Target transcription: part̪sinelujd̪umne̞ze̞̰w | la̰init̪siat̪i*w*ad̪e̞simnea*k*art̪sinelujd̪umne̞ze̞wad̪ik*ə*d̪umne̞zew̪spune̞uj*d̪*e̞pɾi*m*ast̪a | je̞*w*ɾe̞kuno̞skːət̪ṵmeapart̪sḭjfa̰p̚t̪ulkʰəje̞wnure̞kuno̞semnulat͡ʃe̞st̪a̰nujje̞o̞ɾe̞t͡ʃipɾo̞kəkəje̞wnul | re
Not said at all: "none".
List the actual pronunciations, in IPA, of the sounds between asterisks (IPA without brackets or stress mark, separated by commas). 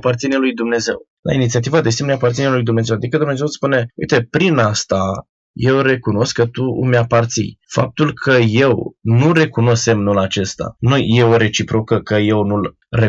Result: v, p, ə, t̪, n, w